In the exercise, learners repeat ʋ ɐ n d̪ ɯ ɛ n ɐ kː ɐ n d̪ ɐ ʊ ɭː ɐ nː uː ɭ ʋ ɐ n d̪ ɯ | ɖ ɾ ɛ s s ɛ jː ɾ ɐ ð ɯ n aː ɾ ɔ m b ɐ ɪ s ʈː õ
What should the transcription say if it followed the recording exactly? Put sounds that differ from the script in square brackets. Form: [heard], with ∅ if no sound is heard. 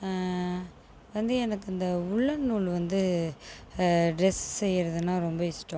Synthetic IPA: ʋ ɐ n d̪ ɯ ɛ n ɐ kː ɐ n d̪ ɐ ʊ ɭː ɐ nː uː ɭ ʋ ɐ n d̪ ɯ | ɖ ɾ ɛ s s ɛ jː ɾ ɐ ð ɯ n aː ɾ ɔ m b ɐ ɪ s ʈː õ